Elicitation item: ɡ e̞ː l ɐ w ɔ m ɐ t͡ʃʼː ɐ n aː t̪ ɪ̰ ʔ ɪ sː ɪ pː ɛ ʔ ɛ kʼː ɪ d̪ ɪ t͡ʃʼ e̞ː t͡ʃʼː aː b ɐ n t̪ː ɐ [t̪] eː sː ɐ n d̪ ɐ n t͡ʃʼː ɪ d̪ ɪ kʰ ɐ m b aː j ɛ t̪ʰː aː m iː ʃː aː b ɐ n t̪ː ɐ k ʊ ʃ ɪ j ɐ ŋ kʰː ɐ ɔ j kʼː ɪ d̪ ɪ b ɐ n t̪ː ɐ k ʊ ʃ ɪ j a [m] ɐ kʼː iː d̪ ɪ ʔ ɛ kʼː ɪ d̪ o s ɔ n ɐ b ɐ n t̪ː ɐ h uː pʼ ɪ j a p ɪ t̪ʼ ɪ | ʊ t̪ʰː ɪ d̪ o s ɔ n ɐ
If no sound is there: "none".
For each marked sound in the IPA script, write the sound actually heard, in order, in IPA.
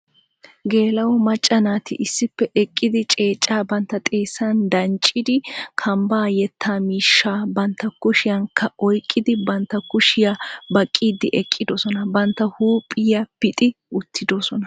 t̪ʼ, b

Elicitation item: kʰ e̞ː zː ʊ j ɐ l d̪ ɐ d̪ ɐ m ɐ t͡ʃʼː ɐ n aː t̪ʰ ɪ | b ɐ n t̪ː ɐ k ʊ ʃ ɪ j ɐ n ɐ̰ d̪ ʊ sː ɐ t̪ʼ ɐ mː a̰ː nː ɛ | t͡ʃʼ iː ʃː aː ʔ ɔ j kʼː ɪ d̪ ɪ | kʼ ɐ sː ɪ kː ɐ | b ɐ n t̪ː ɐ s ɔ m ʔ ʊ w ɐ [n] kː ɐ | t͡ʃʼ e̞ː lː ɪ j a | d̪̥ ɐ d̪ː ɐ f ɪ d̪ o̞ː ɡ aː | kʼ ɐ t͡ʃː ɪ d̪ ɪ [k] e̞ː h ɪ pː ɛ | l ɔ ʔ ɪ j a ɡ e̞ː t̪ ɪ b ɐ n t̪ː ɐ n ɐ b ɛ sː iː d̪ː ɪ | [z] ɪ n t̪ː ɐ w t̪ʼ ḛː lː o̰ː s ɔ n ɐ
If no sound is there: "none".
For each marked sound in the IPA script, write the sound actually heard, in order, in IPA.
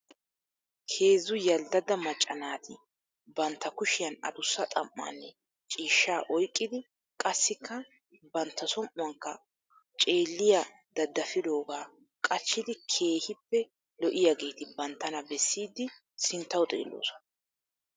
ŋ, kʰ, s

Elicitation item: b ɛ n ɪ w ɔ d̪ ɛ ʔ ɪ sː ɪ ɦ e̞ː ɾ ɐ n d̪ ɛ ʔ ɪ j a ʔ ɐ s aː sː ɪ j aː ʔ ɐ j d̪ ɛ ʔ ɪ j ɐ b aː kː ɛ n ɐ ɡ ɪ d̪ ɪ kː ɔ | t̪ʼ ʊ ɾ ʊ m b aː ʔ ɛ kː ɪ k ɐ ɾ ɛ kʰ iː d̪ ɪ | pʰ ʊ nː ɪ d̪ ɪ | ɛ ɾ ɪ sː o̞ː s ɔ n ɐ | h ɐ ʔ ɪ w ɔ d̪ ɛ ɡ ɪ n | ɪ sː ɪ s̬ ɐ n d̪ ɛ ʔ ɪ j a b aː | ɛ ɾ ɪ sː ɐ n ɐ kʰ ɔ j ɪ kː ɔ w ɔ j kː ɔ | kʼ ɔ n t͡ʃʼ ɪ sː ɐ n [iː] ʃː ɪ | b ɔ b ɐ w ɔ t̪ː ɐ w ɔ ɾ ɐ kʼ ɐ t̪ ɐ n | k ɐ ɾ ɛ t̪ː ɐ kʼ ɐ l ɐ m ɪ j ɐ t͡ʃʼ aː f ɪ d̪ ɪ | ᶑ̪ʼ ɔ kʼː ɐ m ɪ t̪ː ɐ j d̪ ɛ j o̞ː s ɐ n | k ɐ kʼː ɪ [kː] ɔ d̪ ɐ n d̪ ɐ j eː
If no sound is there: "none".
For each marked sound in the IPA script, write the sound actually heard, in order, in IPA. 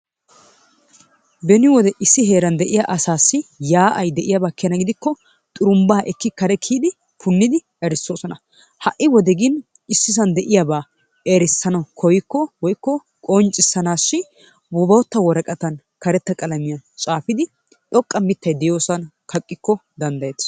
aː, kː

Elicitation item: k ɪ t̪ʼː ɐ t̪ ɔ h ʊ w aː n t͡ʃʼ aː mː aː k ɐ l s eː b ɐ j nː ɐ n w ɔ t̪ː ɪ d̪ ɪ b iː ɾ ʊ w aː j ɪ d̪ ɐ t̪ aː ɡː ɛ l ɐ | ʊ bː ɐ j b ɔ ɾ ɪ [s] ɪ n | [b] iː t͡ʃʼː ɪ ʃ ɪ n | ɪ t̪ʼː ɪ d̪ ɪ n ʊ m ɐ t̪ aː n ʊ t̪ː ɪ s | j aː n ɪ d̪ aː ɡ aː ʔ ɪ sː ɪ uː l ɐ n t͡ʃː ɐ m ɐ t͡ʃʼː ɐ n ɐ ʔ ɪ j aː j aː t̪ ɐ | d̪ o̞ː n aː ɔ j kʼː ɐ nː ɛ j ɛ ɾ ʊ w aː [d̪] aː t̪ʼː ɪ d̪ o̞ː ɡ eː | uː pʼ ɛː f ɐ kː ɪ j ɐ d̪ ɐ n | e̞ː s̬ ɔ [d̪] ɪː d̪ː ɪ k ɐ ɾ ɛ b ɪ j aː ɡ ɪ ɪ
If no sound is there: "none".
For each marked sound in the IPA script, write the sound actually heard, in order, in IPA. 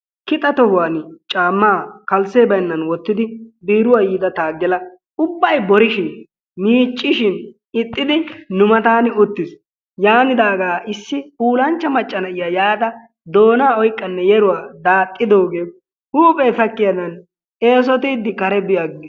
ʃ, m, d̪, t̪

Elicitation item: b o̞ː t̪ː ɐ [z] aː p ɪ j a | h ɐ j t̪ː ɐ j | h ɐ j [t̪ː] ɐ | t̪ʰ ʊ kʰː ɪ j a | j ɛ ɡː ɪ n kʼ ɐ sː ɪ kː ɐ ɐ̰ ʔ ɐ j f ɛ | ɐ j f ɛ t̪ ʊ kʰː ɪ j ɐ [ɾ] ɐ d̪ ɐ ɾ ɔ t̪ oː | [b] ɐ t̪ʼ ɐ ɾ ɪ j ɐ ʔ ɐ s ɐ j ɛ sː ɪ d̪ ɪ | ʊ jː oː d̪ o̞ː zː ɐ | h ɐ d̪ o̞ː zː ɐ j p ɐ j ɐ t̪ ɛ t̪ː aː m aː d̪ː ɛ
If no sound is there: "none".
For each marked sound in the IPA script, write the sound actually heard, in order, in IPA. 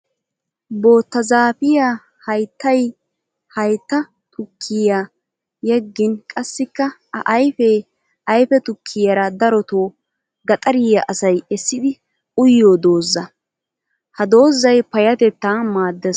z, t̪ː, ɾ, ɡ

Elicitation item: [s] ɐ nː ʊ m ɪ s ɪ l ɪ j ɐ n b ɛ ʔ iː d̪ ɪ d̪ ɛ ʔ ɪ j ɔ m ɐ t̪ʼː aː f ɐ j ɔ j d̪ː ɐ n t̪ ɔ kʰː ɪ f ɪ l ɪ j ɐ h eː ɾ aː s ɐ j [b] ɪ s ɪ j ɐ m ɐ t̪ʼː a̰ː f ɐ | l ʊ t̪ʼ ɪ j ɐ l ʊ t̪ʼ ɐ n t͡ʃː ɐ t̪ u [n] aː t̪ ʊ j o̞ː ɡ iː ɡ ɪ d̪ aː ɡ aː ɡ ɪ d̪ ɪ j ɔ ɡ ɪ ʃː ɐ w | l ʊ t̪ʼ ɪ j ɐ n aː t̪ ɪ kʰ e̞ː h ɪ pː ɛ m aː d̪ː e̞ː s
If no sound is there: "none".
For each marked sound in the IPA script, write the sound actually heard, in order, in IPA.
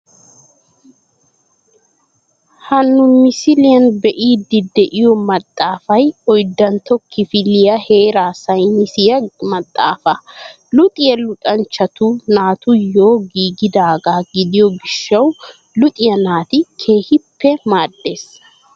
h, m, n

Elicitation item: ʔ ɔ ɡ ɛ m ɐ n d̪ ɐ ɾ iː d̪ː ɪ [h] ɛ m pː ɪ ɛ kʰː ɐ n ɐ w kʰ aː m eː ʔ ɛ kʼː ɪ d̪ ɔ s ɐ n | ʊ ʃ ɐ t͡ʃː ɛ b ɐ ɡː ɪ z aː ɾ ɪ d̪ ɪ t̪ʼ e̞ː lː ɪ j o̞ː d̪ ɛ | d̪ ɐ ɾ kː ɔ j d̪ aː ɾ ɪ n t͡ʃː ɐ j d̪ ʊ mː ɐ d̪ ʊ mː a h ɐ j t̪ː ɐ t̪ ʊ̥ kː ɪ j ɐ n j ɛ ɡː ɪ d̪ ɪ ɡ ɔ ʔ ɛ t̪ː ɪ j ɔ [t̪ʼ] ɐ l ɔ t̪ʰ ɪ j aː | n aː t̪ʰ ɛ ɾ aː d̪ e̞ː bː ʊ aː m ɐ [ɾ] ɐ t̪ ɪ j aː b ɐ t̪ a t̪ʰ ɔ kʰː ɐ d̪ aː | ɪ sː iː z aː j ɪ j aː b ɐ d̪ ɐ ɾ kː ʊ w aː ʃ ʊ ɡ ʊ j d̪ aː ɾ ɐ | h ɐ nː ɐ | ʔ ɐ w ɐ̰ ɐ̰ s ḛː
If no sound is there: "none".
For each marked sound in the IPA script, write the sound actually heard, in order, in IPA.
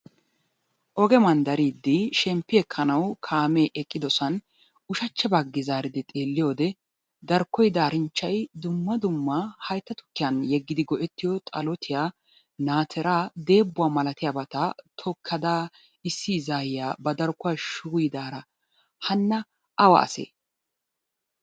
ʃ, t̪ʼ, l

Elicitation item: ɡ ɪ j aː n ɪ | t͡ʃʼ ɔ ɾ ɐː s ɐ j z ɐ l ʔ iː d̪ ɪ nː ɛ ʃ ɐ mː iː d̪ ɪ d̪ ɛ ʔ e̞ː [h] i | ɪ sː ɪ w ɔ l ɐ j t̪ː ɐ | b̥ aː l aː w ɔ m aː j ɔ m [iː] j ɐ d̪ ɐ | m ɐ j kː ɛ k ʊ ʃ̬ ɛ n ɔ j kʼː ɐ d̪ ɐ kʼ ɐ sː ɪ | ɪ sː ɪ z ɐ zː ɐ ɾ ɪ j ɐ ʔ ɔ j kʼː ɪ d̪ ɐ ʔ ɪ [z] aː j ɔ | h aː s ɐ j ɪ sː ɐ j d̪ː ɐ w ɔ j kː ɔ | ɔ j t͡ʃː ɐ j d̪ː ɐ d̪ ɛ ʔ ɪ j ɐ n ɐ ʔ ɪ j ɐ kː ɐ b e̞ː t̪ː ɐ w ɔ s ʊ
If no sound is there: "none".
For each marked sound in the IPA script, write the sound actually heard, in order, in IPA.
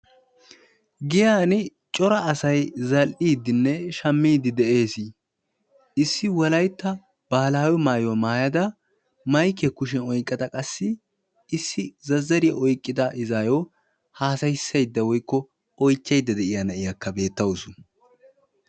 s, aː, z

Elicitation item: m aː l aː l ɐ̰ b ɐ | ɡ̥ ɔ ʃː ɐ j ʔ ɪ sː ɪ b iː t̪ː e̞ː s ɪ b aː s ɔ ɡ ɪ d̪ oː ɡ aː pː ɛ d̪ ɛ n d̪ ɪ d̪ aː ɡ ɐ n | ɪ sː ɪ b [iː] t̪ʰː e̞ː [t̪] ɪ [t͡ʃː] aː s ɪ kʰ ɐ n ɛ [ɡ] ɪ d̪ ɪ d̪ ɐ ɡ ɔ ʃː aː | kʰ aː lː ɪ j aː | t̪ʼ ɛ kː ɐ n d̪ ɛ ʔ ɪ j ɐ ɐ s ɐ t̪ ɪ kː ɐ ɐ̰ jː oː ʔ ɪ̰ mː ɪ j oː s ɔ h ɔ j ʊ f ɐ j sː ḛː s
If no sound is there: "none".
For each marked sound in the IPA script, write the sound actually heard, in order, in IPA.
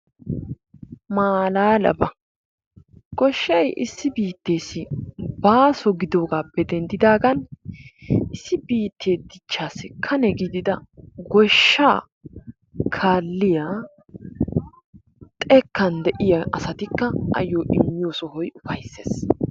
iː, d̪, t͡ʃː, ɡ

